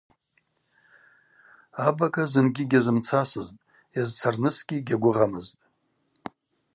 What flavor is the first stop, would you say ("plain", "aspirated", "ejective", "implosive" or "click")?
plain